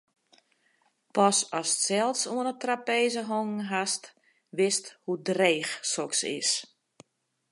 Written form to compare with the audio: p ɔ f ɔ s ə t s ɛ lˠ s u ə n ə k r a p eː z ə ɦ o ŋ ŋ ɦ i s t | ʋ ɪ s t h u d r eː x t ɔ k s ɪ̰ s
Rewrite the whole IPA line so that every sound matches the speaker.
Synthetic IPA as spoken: p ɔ s ɔ s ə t s ɛ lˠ s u ə n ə t r a p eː z ə ɦ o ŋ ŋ ɦ a s t | ʋ ɪ s t h u d r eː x s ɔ k s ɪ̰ s